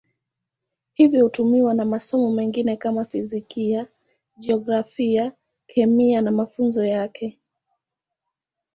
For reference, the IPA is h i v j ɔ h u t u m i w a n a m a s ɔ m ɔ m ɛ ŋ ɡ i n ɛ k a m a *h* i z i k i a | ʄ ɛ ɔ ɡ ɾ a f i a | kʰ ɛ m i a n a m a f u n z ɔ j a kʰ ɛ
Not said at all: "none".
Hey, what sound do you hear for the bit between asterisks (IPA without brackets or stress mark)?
f